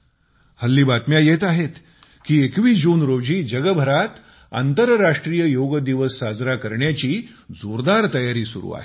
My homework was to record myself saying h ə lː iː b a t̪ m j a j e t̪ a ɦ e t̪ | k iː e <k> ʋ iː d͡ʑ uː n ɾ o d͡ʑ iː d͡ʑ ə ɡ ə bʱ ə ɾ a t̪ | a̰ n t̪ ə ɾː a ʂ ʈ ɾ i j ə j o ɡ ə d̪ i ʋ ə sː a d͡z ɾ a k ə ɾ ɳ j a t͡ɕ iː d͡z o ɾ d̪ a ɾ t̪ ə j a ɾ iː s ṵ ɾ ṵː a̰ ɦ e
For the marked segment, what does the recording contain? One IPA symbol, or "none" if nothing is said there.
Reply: k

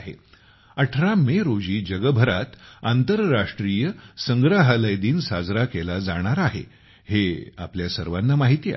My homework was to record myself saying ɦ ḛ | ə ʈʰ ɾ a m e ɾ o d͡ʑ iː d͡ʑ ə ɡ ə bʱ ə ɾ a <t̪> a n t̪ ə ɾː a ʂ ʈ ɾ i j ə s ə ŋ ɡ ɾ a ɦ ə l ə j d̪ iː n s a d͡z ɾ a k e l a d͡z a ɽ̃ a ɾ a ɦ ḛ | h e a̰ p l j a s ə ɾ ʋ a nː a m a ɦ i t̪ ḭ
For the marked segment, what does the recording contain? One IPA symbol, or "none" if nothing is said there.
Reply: t̪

